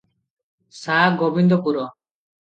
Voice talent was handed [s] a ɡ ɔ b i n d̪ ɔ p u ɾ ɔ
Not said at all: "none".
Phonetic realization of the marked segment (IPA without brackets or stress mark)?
s